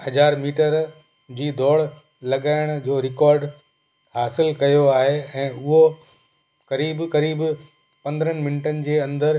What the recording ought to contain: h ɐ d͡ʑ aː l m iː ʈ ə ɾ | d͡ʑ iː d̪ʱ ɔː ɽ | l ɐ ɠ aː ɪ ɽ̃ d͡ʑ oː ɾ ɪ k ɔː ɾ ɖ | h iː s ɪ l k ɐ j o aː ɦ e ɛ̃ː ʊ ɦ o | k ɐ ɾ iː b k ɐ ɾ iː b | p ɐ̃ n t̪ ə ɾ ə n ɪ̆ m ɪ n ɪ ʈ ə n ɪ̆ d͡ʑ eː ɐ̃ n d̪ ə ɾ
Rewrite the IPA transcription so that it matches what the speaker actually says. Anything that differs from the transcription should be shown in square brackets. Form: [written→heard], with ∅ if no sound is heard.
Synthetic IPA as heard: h ɐ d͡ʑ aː [l→ɾ] m iː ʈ ə ɾ | d͡ʑ iː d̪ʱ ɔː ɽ | l ɐ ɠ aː ɪ ɽ̃ d͡ʑ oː ɾ ɪ k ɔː ɾ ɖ | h [iː→aː] s ɪ l k ɐ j o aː ɦ e ɛ̃ː ʊ ɦ o | k ɐ ɾ iː b k ɐ ɾ iː b | p ɐ̃ n [t̪→d̪] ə ɾ ə n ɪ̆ m ɪ n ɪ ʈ ə n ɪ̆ d͡ʑ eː ɐ̃ n d̪ ə ɾ

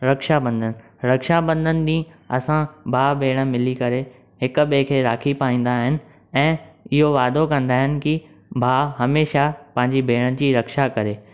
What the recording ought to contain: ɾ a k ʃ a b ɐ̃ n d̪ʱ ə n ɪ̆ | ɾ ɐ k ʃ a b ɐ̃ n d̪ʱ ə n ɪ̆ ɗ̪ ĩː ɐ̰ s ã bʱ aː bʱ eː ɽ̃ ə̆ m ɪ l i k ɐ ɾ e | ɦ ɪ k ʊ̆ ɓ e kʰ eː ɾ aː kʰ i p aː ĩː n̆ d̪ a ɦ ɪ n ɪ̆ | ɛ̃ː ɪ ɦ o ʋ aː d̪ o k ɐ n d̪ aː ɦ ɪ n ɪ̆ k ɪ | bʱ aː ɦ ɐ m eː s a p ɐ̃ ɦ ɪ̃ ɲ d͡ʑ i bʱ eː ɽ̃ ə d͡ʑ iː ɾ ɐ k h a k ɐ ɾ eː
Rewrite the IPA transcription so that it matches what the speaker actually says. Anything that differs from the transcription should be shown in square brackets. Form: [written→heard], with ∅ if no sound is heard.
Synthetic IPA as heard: ɾ [a→ɐ] k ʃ a b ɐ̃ n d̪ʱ ə n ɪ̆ | ɾ ɐ k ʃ a b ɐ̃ n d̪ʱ ə n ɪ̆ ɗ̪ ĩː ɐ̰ s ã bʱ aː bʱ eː ɽ̃ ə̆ m ɪ l i k ɐ ɾ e | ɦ ɪ k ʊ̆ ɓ e kʰ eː ɾ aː kʰ i p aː ĩː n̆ d̪ a ɦ ɪ n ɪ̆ | ɛ̃ː ɪ ɦ o ʋ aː d̪ o k [ɐ→ɐ̃] n d̪ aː ɦ ɪ n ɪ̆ k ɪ | bʱ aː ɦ ɐ m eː [s→ʃ] a p ɐ̃ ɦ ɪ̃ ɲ d͡ʑ i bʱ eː ɽ̃ ə d͡ʑ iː ɾ ɐ k [h→ʃ] a k ɐ ɾ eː

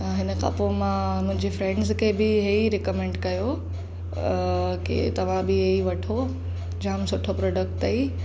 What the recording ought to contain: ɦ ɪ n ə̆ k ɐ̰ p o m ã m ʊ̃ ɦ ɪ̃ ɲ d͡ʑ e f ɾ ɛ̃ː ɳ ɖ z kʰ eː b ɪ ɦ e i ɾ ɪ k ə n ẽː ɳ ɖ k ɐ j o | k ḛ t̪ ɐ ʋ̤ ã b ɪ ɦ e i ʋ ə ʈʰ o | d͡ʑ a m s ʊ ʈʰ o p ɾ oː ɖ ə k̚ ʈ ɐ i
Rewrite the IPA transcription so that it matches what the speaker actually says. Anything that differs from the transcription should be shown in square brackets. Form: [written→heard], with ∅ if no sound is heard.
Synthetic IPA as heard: ɦ ɪ n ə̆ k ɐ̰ p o m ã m ʊ̃ ɦ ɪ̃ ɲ d͡ʑ e f ɾ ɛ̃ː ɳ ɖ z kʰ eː b ɪ ɦ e i ɾ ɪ k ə [n→m] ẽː ɳ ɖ k ɐ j o | k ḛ t̪ ɐ ʋ̤ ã b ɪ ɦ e i ʋ [ə→ɐ] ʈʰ o | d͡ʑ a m s ʊ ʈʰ o p ɾ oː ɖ ə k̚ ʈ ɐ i

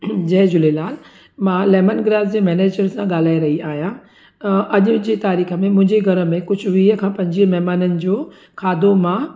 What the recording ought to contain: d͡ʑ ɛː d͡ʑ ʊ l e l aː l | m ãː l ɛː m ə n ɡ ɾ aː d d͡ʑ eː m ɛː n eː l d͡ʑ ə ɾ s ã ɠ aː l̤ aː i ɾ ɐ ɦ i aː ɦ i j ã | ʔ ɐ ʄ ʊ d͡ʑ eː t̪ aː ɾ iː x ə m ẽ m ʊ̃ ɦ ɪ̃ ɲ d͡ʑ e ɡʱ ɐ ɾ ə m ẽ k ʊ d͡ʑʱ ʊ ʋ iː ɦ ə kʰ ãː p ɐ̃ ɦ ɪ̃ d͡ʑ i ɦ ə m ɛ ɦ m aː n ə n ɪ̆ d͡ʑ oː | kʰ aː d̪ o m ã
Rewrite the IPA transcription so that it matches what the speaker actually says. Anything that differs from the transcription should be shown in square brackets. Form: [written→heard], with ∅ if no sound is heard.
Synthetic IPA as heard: d͡ʑ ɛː d͡ʑ ʊ l e l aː l | m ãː l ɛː m ə n ɡ ɾ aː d d͡ʑ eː m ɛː n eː [l→∅] d͡ʑ ə ɾ s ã ɠ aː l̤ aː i ɾ ɐ ɦ i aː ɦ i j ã | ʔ ɐ ʄ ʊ d͡ʑ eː t̪ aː ɾ iː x ə m ẽ m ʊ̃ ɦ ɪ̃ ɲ d͡ʑ e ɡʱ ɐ ɾ ə m ẽ k ʊ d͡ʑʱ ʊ ʋ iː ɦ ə kʰ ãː p ɐ̃ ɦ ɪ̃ d͡ʑ i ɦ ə m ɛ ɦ m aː n ə n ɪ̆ d͡ʑ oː | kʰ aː d̪ o m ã

